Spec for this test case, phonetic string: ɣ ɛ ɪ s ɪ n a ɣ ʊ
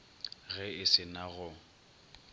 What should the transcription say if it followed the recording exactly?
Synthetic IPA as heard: ɣ ɛ ɪ s ɪ n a ɣ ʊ